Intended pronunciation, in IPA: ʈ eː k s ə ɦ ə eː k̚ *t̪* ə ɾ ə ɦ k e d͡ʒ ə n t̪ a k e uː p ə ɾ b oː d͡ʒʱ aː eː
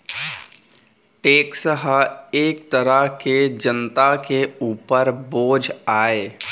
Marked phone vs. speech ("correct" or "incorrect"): correct